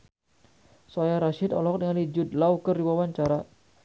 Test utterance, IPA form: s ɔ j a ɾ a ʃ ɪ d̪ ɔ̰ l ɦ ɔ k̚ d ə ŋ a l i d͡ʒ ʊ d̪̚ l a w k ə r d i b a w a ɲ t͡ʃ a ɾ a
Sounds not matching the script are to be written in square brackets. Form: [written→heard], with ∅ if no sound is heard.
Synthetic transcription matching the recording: s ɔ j a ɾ a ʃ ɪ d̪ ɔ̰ l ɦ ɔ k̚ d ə ŋ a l i d͡ʒ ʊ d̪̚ l a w k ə r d i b a w a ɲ t͡ʃ a ɾ a